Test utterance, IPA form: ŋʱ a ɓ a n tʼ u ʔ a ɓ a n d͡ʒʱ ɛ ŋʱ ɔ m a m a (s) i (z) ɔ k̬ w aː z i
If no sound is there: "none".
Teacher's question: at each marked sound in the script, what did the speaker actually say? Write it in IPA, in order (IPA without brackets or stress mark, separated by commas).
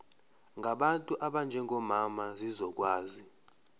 z, z